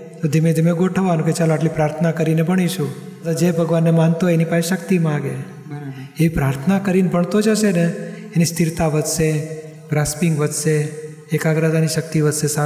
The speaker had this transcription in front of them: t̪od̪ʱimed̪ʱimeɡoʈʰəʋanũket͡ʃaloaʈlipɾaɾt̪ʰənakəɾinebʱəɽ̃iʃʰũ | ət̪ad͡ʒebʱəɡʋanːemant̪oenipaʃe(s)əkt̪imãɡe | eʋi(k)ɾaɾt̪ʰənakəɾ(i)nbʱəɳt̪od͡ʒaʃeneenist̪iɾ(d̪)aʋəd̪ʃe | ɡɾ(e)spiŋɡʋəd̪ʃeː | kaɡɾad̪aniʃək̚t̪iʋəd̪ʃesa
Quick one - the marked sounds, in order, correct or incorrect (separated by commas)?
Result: incorrect, incorrect, correct, incorrect, incorrect